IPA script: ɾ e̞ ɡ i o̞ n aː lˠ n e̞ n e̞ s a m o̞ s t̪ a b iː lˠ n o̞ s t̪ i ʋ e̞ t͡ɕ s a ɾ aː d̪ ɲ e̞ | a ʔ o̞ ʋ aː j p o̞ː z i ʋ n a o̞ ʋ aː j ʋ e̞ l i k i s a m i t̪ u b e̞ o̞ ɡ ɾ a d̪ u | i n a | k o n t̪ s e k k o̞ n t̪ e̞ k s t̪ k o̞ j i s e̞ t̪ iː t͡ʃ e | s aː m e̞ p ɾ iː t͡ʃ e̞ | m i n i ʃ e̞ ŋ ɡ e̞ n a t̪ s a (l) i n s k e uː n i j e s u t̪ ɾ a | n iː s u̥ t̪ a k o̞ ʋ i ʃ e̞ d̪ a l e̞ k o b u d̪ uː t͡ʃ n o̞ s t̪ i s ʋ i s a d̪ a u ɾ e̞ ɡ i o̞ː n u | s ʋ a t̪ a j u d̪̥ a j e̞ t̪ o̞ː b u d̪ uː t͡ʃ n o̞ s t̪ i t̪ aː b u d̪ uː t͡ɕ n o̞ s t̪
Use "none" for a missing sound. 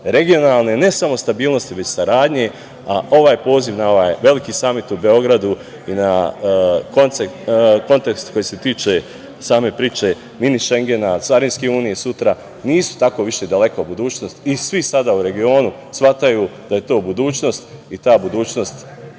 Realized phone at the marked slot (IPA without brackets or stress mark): ɾ